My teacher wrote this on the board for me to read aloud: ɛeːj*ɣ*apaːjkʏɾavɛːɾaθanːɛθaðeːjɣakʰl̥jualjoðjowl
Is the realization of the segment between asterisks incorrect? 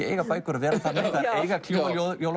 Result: no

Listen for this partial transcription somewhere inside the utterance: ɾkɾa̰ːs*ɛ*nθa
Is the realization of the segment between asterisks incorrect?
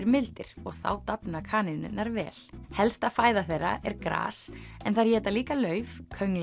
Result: no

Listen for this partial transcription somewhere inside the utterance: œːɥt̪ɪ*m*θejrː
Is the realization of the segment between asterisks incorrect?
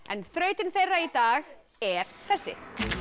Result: yes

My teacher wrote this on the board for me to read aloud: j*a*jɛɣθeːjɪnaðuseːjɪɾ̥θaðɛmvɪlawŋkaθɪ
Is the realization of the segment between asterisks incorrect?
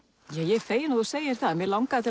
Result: yes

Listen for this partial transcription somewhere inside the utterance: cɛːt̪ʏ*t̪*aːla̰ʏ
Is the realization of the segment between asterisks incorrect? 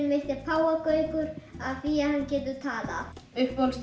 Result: yes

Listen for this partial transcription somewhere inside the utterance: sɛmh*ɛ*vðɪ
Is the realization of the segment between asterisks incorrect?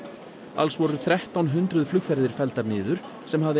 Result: yes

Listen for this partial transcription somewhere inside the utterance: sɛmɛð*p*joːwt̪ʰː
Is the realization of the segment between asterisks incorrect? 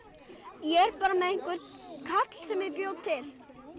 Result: no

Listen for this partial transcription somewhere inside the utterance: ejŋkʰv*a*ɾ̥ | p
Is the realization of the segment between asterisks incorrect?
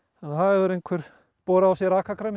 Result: yes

